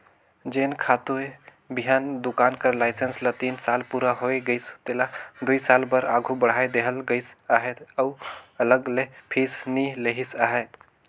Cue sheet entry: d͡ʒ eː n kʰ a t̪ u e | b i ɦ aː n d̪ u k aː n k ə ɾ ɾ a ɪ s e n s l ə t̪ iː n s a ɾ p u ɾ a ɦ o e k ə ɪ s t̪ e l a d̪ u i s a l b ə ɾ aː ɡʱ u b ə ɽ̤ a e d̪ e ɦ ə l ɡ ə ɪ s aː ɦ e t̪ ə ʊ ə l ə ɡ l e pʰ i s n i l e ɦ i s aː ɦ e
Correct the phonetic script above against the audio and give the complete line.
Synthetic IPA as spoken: d͡ʒ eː n kʰ a t̪ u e | b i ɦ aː n d̪ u k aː n k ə ɾ l a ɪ s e n s l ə t̪ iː n s a l p u ɾ a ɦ o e ɡ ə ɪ s t̪ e l a d̪ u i s a l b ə ɾ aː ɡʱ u b ə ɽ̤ a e d̪ e ɦ ə l ɡ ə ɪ s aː ɦ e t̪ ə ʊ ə l ə ɡ l e pʰ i s n i l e ɦ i s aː ɦ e